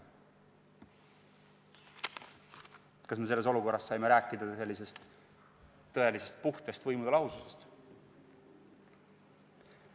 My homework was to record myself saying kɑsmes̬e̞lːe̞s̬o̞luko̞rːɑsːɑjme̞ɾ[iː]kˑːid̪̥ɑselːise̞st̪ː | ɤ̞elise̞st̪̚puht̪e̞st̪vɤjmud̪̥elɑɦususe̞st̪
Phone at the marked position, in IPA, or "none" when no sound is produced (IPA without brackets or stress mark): æː